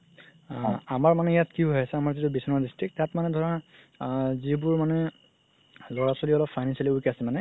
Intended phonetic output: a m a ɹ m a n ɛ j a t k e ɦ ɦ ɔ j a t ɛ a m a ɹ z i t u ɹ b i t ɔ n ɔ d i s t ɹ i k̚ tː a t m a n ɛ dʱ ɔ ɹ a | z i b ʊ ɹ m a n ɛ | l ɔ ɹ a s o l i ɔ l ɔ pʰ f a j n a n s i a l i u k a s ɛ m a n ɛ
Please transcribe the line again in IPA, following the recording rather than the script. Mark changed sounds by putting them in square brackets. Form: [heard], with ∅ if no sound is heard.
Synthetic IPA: a m a ɹ m a n ɛ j a t k [i] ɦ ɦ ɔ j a [s] ɛ a m a ɹ z i t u [∅] b i [s] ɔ n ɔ d i s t ɹ i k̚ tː a t m a n ɛ dʱ ɔ ɹ a | z i b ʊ ɹ m a n ɛ | l ɔ ɹ a s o l i ɔ l ɔ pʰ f a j n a n s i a l i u k a s ɛ m a n ɛ